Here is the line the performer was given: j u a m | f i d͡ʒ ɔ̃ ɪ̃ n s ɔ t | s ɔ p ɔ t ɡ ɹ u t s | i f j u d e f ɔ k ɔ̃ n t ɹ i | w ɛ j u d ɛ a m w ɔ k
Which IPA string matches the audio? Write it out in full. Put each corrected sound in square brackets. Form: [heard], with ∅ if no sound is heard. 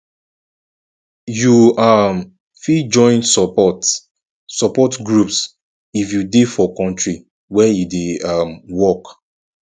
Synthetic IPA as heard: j u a m | f i d͡ʒ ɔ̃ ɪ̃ n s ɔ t | s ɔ p ɔ t ɡ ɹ u [p] s | i f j u d e f ɔ k ɔ̃ n t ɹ i | w ɛ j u d [e] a m w ɔ k